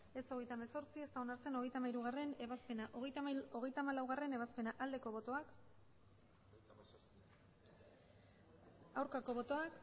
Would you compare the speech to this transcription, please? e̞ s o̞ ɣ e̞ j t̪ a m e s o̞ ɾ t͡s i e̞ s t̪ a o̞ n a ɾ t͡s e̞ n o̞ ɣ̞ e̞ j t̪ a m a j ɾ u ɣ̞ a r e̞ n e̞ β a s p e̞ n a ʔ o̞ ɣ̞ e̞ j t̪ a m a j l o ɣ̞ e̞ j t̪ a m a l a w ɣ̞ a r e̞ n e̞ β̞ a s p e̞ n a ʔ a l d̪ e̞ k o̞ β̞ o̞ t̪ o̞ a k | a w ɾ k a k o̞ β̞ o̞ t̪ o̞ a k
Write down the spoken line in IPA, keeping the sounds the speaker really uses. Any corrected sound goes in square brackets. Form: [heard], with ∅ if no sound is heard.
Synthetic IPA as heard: e̞ s o̞ ɣ e̞ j t̪ a m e s o̞ ɾ t͡s i e̞ s t̪ a o̞ n a ɾ t͡s e̞ n o̞ ɣ̞ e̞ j t̪ a m a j ɾ u ɣ̞ a r e̞ n e̞ β a s p e̞ n a ʔ o̞ ɣ̞ e̞ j t̪ a m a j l o ɣ̞ e̞ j t̪ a m a l a w ɣ̞ a r e̞ n e̞ β̞ a s p e̞ n a ʔ a l d̪ e̞ k o̞ β̞ o̞ t̪ o̞ a k | a w ɾ k a k o̞ β̞ o̞ t̪ o̞ a k